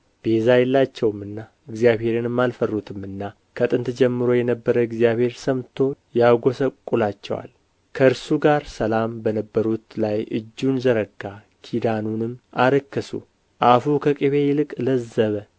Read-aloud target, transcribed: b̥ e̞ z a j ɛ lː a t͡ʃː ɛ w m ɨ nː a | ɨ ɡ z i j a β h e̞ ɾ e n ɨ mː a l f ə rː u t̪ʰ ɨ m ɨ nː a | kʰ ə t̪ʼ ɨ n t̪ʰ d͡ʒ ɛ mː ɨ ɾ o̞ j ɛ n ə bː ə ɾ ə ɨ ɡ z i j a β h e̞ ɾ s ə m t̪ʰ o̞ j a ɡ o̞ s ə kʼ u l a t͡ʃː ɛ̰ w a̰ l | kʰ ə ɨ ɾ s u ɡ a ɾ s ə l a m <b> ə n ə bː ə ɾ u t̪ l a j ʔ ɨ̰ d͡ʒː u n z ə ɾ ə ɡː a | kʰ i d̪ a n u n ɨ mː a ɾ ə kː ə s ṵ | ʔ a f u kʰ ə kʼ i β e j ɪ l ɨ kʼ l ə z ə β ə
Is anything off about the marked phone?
no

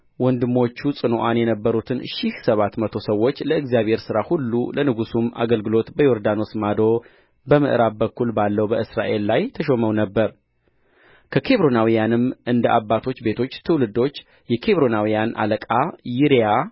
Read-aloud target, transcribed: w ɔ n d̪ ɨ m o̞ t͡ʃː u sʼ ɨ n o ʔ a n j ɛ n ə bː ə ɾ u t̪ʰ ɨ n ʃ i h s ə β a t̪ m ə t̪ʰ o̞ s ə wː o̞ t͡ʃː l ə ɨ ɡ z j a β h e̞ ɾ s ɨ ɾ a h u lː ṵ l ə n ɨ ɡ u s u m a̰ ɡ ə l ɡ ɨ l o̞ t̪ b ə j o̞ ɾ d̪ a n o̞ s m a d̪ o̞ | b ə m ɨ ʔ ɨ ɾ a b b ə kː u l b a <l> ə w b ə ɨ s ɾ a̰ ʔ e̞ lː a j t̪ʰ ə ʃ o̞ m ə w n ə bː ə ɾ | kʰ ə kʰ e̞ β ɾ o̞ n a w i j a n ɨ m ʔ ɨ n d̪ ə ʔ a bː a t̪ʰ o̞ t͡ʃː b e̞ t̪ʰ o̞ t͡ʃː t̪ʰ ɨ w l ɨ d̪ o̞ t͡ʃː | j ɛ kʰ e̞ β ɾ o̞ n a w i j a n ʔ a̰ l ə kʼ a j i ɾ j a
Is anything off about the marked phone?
yes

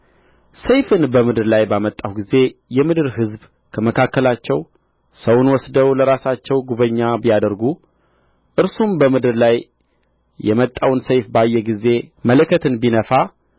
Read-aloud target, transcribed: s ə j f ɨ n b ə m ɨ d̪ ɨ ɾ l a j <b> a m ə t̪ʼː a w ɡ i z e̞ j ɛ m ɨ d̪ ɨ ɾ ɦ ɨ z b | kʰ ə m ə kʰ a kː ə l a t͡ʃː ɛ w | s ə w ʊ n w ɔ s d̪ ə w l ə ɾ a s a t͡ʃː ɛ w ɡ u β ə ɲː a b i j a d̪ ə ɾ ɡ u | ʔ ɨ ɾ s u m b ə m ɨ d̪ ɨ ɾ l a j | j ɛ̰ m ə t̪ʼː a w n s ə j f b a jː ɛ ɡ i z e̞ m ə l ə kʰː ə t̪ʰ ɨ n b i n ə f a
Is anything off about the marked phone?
no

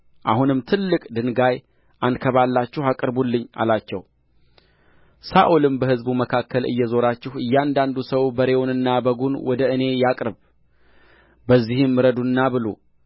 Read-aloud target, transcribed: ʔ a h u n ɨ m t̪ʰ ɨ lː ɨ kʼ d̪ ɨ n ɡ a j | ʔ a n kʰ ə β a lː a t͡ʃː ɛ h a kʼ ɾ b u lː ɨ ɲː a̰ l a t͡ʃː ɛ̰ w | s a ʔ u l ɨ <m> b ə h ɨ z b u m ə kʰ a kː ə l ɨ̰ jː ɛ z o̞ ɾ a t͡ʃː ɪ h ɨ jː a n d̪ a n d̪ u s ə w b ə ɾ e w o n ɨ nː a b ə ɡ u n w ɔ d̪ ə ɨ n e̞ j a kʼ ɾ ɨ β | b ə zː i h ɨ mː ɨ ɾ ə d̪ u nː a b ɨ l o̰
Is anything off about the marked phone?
no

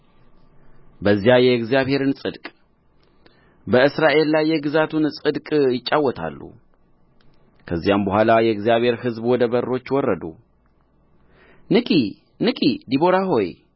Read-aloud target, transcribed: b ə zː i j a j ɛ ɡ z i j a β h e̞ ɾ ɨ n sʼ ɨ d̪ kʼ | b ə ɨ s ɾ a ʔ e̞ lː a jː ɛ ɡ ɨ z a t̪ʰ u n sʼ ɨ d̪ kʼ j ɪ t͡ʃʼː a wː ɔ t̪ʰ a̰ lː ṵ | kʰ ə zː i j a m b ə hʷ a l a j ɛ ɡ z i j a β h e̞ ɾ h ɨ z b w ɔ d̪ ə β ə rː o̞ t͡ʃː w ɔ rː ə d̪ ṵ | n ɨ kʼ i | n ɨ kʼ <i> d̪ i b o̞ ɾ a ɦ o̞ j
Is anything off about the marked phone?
no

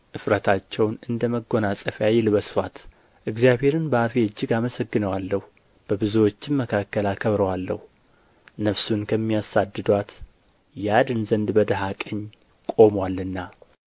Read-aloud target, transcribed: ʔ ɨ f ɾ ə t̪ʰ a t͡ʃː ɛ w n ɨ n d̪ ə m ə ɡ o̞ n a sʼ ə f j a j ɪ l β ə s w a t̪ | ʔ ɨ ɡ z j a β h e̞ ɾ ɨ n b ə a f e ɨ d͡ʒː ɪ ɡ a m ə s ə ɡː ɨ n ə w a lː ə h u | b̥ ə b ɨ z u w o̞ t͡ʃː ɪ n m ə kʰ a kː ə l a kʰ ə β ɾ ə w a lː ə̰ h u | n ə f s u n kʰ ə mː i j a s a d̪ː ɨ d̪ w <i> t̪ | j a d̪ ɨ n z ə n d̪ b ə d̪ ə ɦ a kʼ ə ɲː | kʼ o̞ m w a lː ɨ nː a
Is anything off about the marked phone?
yes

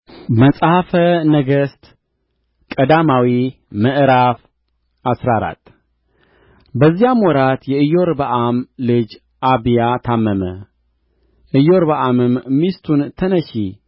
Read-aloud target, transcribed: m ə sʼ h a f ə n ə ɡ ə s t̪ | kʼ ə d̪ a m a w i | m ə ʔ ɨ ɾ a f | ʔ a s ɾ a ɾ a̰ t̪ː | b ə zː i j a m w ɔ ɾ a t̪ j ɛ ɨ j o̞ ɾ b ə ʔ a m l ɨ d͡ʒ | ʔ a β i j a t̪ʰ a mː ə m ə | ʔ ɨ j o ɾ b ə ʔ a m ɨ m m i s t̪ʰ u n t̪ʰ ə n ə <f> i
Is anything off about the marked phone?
yes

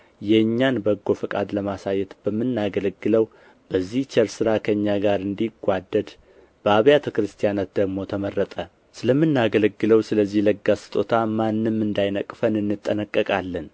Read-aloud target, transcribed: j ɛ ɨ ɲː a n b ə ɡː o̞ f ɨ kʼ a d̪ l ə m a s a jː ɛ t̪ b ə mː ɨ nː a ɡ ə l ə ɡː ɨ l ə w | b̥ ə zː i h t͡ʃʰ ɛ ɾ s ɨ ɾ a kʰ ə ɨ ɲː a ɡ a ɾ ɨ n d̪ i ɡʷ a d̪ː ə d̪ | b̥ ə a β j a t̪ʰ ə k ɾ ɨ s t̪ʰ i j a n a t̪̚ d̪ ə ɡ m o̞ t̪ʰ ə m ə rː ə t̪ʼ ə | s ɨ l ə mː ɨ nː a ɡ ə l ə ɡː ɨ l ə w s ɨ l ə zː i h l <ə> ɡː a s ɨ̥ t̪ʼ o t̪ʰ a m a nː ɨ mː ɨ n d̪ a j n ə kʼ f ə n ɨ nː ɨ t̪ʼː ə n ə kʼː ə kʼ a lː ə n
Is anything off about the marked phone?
no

